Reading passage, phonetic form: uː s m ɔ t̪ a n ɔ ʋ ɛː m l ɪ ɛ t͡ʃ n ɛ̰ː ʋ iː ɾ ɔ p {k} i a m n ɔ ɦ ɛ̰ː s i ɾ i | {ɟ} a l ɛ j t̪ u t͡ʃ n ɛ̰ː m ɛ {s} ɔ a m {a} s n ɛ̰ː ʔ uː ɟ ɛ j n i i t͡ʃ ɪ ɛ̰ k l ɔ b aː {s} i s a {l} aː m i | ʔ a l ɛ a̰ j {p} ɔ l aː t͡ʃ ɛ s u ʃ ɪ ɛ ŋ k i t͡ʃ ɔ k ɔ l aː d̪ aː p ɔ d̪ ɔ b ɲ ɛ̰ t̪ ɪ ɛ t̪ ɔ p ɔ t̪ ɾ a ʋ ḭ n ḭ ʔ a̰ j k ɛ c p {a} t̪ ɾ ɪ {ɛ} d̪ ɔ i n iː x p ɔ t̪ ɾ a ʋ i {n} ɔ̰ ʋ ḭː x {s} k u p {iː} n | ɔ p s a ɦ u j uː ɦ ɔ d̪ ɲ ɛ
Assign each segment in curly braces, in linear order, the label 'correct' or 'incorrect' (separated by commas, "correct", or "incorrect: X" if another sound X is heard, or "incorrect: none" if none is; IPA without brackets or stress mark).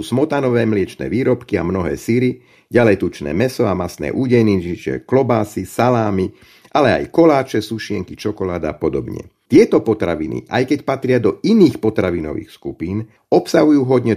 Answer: correct, correct, correct, correct, correct, correct, incorrect: k, correct, incorrect: a, correct, correct, correct